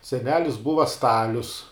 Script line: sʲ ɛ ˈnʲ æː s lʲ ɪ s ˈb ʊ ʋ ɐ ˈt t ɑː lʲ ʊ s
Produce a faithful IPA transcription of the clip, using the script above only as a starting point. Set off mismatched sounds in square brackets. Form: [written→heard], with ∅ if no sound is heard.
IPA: sʲ ɛ ˈnʲ æː [s→∅] lʲ ɪ s ˈb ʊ ʋ ɐ [ˈt→ˈs] t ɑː lʲ ʊ s